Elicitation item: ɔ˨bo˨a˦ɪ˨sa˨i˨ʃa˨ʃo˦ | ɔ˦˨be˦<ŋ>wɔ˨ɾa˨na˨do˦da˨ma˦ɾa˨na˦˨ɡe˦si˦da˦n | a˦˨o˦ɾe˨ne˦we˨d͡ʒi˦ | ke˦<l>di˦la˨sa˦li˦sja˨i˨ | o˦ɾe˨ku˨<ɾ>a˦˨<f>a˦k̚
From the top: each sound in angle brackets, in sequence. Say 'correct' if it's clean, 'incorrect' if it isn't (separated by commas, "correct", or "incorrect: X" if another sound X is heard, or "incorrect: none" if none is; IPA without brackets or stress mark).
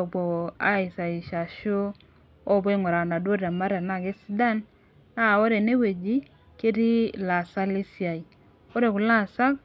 correct, incorrect: none, incorrect: l, incorrect: s